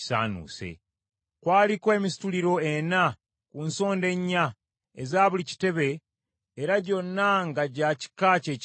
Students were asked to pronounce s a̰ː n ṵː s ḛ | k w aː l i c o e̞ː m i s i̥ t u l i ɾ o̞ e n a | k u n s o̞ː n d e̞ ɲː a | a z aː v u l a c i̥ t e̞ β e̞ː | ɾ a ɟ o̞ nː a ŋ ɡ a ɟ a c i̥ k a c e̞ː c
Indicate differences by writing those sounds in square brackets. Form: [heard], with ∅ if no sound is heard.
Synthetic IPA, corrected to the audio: s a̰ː n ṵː s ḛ | k w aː l i [k] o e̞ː m i s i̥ t u l i ɾ o̞ e n a | k u n s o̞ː n d e̞ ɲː a | [e] z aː [β] u l [i] c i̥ t e̞ β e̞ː | ɾ a ɟ o̞ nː a ŋ ɡ a ɟ a c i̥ k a c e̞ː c

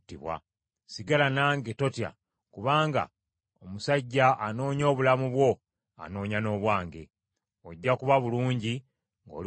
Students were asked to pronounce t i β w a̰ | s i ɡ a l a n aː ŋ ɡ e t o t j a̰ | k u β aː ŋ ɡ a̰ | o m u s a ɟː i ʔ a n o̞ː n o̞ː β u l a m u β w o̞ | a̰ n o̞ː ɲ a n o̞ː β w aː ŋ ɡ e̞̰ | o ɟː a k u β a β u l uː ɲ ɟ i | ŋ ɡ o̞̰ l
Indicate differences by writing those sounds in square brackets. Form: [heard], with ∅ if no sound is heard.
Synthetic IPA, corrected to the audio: t i β w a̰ | s i ɡ a l a n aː ŋ ɡ e t o t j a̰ | k u β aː ŋ ɡ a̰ | o m u s a ɟː [a] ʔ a n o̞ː [ɲ] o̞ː β u l a m u β w o̞ | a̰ n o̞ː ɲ a n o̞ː β w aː ŋ ɡ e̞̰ | o ɟː a k u β a β u l uː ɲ ɟ i | ŋ ɡ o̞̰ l

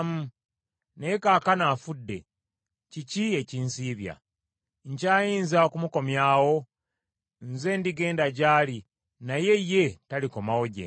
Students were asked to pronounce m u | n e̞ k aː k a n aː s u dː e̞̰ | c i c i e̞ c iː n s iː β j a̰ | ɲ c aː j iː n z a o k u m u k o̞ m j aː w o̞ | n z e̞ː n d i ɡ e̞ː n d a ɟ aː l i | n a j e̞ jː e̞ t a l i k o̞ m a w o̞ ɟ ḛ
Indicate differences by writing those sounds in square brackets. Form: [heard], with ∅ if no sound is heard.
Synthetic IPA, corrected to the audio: m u | n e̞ k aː k a n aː [f] u dː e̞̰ | c i c i e̞ c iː n s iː β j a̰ | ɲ c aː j iː n z a o k u m u k o̞ m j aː w o̞ | n z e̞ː n d i ɡ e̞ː n d a ɟ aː l i | n a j e̞ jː e̞ t a l i k o̞ m a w o̞ ɟ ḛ

